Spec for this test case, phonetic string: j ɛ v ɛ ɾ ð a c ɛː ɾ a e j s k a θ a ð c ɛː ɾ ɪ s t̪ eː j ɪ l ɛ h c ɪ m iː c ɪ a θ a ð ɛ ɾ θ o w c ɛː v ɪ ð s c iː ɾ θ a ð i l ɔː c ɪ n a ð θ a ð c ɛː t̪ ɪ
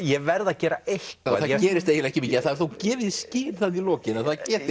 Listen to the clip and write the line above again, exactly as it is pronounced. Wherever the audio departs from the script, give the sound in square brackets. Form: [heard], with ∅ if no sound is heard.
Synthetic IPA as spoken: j ɛ v ɛ ɾ ð a c ɛː ɾ a e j [h] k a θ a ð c ɛː ɾ ɪ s t̪ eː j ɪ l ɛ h c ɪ m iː c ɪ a θ a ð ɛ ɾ θ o w c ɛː v ɪ ð s c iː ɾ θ a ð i l ɔː c ɪ n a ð θ a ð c ɛː t̪ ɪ